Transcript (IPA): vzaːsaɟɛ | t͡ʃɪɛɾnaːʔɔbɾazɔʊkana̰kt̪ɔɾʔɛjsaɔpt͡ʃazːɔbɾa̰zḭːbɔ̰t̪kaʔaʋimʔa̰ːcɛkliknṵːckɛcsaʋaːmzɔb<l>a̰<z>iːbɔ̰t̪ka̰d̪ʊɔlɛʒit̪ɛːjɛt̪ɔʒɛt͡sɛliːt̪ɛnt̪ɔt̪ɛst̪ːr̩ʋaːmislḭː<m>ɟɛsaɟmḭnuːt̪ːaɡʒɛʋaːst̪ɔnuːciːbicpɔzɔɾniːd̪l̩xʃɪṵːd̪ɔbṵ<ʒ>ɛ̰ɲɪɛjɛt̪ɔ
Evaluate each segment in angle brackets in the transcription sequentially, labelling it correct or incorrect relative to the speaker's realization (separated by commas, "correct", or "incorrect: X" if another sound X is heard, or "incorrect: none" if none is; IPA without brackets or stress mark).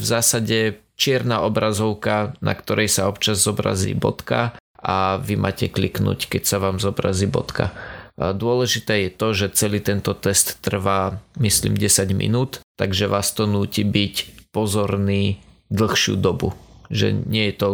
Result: incorrect: ɾ, correct, correct, correct